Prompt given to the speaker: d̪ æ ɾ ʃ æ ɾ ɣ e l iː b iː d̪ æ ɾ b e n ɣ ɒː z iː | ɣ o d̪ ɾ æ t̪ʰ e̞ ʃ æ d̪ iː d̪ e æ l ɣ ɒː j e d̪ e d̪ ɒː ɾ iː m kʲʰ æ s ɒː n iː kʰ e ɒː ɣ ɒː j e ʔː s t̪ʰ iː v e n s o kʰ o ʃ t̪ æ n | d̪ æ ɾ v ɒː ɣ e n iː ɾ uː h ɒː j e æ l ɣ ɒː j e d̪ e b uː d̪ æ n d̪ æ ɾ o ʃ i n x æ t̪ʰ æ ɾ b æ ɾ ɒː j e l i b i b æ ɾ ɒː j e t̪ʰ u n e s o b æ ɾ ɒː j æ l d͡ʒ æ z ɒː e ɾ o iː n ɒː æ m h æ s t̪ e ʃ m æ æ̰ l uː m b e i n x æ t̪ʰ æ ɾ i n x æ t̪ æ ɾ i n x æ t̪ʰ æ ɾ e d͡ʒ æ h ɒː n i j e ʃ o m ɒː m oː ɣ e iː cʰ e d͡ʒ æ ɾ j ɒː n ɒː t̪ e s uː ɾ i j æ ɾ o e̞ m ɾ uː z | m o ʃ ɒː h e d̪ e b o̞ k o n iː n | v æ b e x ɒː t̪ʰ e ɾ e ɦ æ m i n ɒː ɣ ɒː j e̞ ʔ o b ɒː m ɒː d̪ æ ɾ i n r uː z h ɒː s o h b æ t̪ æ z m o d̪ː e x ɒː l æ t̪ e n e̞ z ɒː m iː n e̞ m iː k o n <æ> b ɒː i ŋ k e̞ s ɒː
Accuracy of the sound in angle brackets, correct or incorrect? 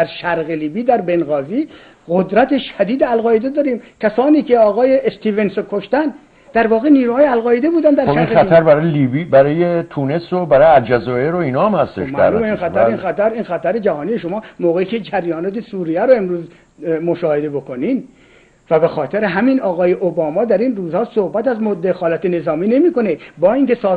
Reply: incorrect